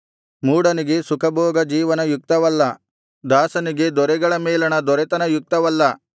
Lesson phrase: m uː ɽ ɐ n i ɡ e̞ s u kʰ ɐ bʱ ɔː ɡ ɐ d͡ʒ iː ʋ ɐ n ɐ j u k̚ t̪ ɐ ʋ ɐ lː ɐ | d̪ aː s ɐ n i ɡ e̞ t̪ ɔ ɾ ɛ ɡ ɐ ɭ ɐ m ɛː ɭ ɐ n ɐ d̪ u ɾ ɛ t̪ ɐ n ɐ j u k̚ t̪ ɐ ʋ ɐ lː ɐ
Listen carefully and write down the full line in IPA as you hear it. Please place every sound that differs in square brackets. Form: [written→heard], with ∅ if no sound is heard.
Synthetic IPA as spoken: m uː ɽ ɐ n i ɡ e̞ s u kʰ ɐ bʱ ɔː ɡ ɐ d͡ʒ iː ʋ ɐ n ɐ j u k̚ t̪ ɐ ʋ ɐ lː ɐ | d̪ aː s ɐ n i ɡ e̞ [t̪→d̪] ɔ ɾ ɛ ɡ ɐ ɭ ɐ m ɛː [ɭ→l] ɐ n ɐ d̪ [u→ɔ] ɾ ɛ t̪ ɐ n ɐ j u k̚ t̪ ɐ ʋ ɐ lː ɐ